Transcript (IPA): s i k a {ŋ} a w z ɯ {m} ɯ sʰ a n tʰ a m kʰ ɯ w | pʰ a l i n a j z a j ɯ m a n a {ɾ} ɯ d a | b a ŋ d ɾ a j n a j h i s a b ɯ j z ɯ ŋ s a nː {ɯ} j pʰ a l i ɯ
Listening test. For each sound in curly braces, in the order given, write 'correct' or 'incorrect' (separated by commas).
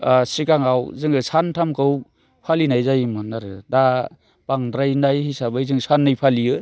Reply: correct, incorrect, correct, correct